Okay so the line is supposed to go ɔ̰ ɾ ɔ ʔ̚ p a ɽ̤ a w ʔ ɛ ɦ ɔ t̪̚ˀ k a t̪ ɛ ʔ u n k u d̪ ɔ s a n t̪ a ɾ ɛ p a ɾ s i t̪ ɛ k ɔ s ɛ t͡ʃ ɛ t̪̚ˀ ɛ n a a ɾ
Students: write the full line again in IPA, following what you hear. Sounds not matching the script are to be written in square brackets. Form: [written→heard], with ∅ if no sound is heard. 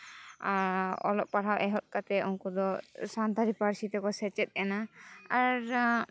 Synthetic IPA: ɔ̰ [ɾ→l] ɔ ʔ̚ p a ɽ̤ a w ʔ ɛ ɦ ɔ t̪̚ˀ k a t̪ ɛ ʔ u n k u d̪ ɔ s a n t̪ a ɾ [ɛ→i] p a ɾ s i t̪ ɛ k ɔ s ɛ t͡ʃ ɛ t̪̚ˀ ɛ n a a ɾ